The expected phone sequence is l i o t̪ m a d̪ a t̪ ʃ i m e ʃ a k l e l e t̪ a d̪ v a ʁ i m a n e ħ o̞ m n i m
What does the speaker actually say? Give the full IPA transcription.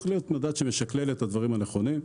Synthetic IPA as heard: l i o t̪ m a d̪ a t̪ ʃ e m e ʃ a k l e l e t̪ a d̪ v a ʁ i m a n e χ o̞ n i m